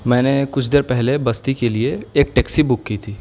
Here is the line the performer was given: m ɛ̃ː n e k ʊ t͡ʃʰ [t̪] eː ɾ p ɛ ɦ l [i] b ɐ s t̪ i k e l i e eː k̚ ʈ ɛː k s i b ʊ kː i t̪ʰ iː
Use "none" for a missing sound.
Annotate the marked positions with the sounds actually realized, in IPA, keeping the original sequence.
d̪, e

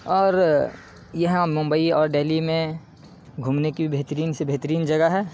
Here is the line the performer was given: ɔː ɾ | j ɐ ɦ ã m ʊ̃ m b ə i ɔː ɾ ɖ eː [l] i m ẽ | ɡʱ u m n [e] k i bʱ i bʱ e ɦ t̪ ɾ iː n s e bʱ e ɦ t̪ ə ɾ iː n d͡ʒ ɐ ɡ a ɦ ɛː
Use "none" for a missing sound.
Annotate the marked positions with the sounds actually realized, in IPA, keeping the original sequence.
l, e

